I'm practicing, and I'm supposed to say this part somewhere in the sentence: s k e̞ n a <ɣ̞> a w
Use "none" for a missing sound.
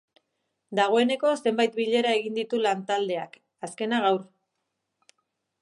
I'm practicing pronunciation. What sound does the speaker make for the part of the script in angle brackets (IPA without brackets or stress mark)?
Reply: ɣ̞